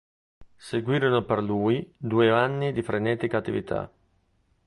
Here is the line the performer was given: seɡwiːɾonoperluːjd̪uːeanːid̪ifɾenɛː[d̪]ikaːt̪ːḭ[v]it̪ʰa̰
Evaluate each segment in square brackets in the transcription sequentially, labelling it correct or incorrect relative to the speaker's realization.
incorrect: t̪, correct

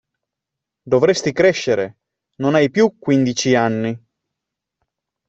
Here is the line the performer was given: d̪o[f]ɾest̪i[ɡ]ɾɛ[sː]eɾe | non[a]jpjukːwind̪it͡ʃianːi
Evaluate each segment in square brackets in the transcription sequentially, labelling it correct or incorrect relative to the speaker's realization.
incorrect: v, incorrect: k, incorrect: ʃː, correct

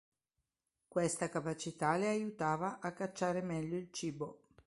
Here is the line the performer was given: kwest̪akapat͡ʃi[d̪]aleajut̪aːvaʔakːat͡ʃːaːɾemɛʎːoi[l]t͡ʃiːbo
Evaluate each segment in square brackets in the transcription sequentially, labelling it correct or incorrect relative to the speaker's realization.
incorrect: t̪, correct

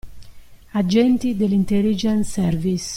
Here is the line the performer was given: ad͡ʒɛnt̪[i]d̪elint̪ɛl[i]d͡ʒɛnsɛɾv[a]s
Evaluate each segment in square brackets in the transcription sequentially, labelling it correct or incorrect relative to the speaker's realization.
correct, correct, incorrect: i

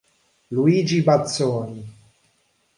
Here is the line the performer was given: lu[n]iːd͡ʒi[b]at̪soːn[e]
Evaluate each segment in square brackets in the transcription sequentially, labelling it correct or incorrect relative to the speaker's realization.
incorrect: none, correct, incorrect: i

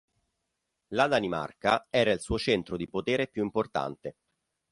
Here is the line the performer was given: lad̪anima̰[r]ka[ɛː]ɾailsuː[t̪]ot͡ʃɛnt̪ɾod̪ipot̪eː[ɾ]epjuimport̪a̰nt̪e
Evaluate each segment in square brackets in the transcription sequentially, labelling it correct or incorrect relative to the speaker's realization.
correct, correct, incorrect: none, correct

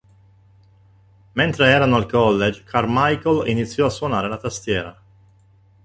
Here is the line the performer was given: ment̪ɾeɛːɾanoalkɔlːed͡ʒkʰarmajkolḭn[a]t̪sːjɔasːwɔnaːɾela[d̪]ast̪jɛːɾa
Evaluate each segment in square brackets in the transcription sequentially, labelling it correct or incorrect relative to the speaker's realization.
incorrect: i, incorrect: t̪

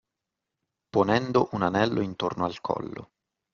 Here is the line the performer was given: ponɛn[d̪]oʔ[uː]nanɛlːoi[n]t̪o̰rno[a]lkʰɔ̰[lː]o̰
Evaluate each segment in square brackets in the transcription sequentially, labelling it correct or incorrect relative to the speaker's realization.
correct, incorrect: u, correct, correct, correct

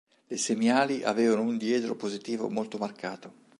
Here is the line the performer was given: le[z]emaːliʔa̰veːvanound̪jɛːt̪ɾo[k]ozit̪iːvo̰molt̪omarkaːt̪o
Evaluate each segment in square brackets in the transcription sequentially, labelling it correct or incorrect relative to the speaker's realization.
incorrect: s, incorrect: p

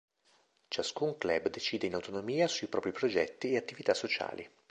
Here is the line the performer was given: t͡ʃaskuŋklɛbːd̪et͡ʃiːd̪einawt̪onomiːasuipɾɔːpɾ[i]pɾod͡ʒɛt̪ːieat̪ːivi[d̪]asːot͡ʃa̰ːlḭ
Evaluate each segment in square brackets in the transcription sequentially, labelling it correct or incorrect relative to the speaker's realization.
correct, incorrect: t̪

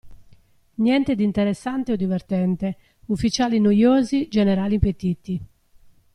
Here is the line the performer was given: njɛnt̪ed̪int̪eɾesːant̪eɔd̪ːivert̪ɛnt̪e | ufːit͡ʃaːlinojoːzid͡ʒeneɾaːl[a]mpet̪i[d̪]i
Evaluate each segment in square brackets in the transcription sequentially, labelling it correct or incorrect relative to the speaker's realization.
incorrect: i, incorrect: t̪

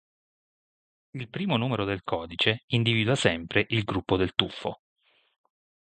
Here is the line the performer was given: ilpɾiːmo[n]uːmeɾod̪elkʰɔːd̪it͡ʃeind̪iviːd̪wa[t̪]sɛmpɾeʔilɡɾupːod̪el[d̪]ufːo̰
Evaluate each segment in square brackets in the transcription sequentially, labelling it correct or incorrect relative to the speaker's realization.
correct, incorrect: none, incorrect: t̪

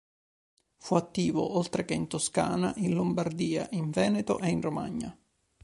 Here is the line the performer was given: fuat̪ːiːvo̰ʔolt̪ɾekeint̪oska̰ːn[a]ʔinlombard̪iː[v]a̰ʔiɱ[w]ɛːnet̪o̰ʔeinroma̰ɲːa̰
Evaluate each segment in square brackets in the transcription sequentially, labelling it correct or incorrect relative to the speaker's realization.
correct, incorrect: none, incorrect: v

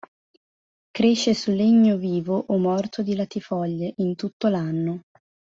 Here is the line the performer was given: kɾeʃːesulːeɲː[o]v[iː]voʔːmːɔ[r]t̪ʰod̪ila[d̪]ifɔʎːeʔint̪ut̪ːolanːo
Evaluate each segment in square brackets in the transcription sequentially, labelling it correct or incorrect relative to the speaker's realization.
correct, correct, correct, incorrect: t̪

